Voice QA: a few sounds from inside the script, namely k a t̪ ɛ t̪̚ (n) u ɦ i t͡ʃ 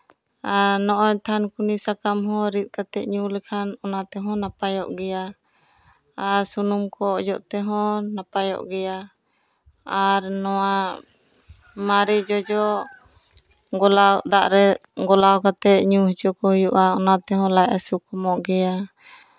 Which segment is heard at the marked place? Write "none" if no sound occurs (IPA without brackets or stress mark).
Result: ɲ